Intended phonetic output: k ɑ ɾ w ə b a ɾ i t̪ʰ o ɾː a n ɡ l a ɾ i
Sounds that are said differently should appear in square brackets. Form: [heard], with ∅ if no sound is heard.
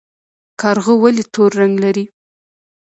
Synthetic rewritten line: k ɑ ɾ [ɣ] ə [w] a [l] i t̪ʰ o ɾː a [ŋ] ɡ l a ɾ i